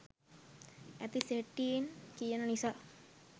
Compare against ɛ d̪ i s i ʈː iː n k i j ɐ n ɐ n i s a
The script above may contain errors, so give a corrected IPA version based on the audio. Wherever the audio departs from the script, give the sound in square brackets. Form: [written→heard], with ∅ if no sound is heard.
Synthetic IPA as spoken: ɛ [d̪→t̪] i s [i→e] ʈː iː n k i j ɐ n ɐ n i s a